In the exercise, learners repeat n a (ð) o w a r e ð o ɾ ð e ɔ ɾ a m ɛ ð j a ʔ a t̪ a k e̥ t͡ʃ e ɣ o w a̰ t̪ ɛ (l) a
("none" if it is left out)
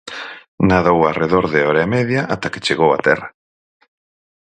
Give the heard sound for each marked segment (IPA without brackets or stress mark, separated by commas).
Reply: ð, r